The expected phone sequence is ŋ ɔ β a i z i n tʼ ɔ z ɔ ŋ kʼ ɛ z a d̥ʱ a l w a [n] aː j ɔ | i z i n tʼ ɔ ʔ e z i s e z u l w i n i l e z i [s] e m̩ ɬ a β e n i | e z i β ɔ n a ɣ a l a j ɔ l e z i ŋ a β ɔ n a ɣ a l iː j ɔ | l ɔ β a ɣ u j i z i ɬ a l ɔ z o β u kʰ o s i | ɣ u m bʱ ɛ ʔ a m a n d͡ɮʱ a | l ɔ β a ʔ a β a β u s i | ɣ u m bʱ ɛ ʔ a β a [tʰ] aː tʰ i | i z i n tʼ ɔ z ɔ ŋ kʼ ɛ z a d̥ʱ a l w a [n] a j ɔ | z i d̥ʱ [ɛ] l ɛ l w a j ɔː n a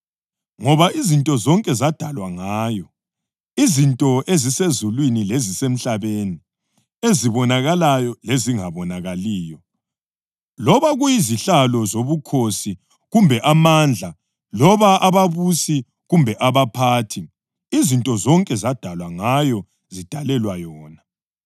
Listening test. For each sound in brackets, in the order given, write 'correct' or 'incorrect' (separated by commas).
incorrect, correct, incorrect, incorrect, incorrect